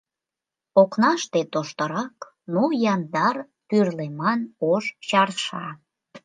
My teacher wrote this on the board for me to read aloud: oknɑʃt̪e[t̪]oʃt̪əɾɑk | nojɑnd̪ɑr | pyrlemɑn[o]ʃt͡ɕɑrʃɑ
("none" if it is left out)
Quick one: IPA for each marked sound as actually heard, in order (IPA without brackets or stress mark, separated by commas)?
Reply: t̪, o